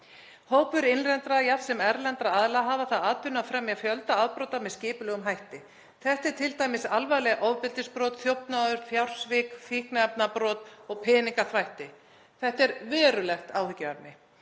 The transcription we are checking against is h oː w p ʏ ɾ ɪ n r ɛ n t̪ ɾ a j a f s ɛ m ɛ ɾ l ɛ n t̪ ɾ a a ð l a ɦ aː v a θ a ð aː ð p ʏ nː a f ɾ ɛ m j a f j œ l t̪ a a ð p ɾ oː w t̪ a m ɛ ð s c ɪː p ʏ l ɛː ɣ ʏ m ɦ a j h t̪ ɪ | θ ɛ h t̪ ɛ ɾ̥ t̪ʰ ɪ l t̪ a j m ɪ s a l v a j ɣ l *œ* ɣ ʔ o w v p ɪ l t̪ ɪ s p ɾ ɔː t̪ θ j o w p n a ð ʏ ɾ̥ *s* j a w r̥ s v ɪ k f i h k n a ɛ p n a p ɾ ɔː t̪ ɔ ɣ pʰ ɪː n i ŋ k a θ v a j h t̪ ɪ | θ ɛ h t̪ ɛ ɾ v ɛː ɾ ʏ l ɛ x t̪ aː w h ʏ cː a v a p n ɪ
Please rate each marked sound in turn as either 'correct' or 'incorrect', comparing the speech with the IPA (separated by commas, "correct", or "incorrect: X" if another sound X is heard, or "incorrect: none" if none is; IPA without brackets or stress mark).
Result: incorrect: ɛ, incorrect: f